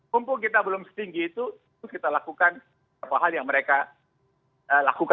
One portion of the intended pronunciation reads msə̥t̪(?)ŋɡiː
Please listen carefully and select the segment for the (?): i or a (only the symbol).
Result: i